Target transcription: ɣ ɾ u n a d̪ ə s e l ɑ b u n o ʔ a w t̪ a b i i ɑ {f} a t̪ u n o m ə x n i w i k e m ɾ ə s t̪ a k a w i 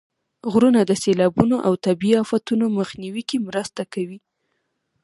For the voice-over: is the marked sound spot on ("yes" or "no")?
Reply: yes